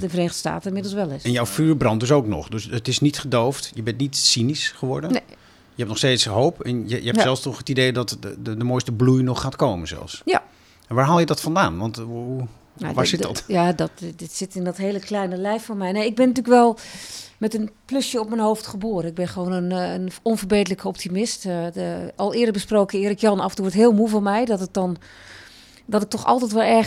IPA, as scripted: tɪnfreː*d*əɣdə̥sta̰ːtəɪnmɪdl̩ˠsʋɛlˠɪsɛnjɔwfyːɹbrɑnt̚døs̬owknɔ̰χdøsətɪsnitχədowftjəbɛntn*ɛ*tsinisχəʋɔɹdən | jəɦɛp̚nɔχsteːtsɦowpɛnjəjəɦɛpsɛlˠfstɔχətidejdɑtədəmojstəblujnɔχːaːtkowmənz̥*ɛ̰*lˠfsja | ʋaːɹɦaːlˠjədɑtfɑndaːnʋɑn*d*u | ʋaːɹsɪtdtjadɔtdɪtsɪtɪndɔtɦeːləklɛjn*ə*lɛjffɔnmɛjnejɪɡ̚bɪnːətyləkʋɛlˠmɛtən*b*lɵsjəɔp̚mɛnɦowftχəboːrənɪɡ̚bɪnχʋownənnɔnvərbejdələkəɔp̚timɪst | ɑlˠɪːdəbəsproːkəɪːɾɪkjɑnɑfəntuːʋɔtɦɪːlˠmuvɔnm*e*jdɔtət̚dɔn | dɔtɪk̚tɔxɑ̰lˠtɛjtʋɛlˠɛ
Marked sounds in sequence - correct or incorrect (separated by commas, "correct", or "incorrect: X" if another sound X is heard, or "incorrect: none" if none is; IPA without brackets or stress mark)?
incorrect: n, incorrect: i, correct, incorrect: t, correct, incorrect: p, incorrect: ɛ